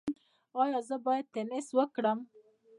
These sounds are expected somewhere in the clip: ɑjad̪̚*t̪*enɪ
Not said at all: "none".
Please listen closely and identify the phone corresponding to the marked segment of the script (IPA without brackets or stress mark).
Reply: t̪